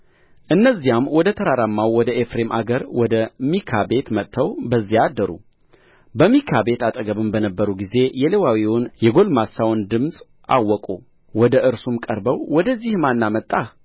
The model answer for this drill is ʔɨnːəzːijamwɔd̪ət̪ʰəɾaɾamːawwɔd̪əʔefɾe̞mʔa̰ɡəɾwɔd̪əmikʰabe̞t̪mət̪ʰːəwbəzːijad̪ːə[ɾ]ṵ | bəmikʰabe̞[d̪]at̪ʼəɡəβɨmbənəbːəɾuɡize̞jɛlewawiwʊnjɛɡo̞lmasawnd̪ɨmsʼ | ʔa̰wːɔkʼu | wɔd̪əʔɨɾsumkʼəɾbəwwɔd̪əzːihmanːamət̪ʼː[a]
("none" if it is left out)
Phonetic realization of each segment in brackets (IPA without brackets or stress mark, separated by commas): ɾ, t̪, a